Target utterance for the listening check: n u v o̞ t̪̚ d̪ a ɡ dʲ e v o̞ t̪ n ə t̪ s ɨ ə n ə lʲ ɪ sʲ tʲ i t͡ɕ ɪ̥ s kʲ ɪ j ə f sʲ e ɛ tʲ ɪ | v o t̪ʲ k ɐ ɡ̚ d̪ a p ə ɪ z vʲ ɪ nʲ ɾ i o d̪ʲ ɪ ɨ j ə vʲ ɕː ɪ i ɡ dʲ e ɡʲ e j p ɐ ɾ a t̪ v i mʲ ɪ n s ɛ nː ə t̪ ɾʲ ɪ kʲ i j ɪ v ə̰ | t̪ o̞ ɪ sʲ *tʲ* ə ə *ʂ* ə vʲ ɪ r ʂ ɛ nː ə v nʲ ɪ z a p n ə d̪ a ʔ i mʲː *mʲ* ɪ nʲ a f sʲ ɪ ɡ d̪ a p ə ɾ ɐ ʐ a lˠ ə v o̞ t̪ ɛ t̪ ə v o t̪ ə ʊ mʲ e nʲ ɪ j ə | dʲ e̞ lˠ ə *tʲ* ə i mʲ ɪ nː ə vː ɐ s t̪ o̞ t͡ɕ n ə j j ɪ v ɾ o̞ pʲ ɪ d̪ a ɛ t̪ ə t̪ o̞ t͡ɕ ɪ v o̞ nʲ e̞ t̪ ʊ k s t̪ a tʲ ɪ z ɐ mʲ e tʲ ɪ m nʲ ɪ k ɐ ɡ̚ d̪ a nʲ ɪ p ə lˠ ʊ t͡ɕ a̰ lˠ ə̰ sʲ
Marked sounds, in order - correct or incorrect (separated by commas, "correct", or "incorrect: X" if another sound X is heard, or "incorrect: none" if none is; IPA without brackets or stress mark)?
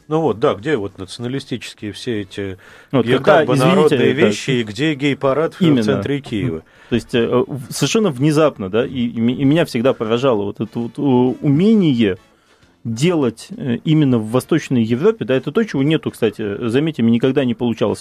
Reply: correct, incorrect: s, correct, correct